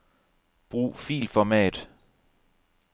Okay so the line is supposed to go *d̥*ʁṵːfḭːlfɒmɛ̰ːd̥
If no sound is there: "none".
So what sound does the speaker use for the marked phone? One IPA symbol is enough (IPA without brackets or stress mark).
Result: b̥